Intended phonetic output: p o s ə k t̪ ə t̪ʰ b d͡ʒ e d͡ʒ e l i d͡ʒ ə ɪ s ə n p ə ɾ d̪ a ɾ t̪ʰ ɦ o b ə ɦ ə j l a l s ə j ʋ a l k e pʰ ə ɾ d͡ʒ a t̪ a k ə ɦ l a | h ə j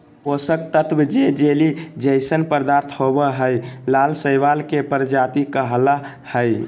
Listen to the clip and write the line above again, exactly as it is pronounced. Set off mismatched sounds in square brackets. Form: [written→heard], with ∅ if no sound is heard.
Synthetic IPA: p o s ə k t̪ ə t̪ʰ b d͡ʒ e d͡ʒ e l i d͡ʒ ə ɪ s ə n p ə ɾ d̪ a ɾ t̪ʰ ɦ o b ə ɦ ə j l a l s ə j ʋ a l k e [pʰ→p] ə ɾ d͡ʒ a t̪ [a→i] k ə ɦ l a | h ə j